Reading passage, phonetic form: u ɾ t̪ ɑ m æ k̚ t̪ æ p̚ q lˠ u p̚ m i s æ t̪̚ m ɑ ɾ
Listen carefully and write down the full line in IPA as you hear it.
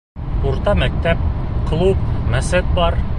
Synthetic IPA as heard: u ɾ t̪ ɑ m æ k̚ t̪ æ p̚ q lˠ u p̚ m æ s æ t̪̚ b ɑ ɾ